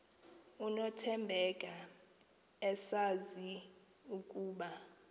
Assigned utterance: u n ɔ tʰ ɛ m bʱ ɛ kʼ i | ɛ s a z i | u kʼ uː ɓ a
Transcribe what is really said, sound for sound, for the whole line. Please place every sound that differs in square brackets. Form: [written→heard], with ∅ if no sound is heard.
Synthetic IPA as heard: u n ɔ tʰ ɛ m bʱ ɛ kʼ [i→a] | ɛ s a z i | u kʼ uː ɓ a